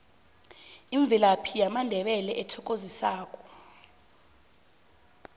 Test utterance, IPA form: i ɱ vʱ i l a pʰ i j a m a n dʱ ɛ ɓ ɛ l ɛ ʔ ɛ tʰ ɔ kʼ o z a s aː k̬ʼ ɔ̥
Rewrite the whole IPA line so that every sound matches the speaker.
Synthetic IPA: i ɱ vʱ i l a pʰ i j a m a n dʱ ɛ ɓ ɛ l ɛ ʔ ɛ tʰ ɔ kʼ o z i s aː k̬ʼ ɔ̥